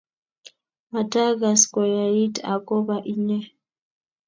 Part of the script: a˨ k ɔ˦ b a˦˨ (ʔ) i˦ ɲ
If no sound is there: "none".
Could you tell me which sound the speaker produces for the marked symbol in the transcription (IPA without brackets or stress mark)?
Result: ʔ